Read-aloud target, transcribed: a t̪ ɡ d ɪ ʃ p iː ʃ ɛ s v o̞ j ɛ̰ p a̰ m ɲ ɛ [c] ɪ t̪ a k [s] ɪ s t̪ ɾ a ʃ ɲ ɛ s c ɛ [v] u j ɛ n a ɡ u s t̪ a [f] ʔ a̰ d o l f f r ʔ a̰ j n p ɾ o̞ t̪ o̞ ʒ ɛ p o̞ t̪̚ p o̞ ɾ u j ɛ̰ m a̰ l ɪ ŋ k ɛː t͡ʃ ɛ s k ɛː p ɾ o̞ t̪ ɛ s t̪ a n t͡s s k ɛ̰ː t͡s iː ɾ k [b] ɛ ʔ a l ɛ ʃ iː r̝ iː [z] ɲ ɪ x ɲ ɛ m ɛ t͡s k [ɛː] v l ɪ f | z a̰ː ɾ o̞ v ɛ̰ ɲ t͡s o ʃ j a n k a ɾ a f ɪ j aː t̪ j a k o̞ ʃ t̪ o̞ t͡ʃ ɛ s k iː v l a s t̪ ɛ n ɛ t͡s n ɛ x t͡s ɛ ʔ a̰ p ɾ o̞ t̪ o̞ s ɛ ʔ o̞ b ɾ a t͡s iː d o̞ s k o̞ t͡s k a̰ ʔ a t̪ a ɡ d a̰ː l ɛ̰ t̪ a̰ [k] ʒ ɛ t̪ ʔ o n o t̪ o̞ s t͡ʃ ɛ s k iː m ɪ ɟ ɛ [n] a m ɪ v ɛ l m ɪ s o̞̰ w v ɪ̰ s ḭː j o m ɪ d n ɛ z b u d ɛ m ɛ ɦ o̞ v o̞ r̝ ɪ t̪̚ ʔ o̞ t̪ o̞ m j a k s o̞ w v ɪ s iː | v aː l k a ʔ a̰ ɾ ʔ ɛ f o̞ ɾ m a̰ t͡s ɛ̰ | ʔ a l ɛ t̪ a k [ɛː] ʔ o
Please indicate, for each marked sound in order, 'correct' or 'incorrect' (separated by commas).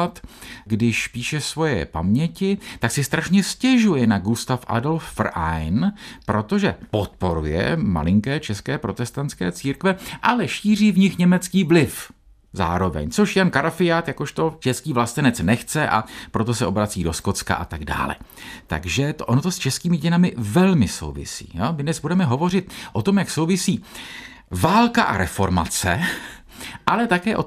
correct, correct, incorrect, correct, incorrect, incorrect, incorrect, incorrect, correct, correct